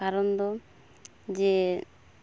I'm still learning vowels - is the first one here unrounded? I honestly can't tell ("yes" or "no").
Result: yes